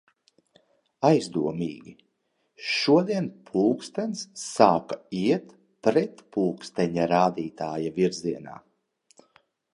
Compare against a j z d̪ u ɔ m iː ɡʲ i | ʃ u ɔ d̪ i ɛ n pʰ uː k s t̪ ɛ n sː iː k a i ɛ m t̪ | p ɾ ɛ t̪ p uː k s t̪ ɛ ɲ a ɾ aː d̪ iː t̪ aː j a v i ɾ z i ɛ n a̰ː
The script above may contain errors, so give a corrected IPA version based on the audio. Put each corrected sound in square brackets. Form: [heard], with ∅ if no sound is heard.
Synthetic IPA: a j z d̪ u ɔ m iː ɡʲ i | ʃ u ɔ d̪ i ɛ n pʰ uː k s t̪ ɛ n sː [aː] k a i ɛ [∅] t̪ | p ɾ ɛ t̪ p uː k s t̪ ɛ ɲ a ɾ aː d̪ iː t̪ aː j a v i ɾ z i ɛ n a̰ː